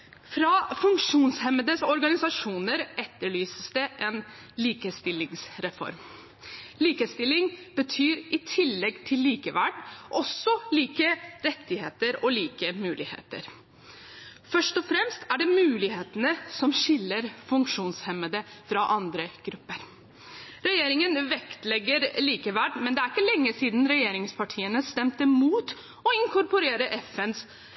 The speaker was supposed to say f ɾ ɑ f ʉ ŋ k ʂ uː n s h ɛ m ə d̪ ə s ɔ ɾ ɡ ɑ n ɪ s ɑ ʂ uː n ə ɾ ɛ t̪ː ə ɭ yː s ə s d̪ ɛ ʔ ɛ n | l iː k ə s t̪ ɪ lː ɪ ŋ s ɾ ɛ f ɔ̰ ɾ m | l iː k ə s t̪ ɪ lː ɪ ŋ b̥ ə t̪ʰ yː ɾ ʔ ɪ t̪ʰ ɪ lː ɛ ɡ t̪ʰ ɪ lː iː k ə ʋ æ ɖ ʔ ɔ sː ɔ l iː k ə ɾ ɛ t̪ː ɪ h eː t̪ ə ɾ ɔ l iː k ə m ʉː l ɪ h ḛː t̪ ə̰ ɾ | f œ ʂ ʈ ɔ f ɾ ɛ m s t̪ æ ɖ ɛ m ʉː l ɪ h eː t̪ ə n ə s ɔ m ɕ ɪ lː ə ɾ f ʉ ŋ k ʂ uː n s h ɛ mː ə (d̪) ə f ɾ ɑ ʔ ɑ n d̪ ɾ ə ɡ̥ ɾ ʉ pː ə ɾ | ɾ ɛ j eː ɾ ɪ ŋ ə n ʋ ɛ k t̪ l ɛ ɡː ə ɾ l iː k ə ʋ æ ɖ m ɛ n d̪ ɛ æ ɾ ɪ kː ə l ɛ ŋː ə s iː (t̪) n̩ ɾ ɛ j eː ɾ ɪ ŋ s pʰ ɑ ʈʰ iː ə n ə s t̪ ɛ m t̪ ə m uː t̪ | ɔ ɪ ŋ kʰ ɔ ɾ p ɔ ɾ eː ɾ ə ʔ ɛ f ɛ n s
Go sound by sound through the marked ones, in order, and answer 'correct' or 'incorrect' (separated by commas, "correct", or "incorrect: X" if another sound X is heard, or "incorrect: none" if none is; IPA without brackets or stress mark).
correct, incorrect: d̪